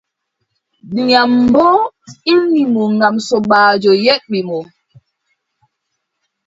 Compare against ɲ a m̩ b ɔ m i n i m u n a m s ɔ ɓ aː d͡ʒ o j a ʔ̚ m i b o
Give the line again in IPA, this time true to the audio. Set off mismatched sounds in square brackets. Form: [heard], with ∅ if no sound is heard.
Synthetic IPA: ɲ a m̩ b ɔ [∅] i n i m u [ŋ] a m s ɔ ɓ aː d͡ʒ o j [ɛ] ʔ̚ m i [m] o